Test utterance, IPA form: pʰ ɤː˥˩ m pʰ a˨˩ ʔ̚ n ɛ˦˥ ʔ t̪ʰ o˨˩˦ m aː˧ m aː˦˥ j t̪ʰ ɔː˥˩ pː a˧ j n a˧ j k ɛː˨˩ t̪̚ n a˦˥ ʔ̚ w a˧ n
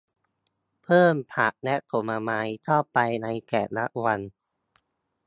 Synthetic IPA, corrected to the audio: pʰ ɤː˥˩ m pʰ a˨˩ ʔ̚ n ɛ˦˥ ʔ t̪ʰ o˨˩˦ m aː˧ m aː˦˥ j t̪ʰ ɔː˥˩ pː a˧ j n a˧ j k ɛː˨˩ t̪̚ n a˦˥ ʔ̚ w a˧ n